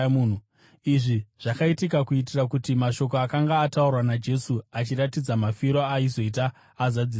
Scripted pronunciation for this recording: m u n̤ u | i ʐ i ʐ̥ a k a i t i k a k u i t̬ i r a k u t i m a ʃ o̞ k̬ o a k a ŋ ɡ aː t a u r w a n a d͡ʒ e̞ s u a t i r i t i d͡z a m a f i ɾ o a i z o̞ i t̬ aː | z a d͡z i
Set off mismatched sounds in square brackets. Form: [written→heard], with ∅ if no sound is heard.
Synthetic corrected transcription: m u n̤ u | i ʐ i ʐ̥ a k a i t i k a k u i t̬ i r a k u t i m a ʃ o̞ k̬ o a k a ŋ ɡ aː t a u r w a n a d͡ʒ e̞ s u a [t→t͡ʃ] i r [i→a] t i d͡z a m a f i ɾ o a i z o̞ i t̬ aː | z a d͡z i